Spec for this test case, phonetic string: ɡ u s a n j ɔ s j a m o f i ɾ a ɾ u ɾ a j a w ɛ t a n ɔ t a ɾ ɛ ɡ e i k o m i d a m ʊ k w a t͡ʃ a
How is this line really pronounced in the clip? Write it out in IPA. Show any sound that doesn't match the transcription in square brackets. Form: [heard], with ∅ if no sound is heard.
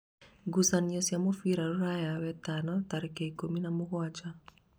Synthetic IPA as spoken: ɡ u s a n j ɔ s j a m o f i ɾ a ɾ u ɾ a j a w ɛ t a n ɔ t a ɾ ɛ [k] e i k o m i [n] a m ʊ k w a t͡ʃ a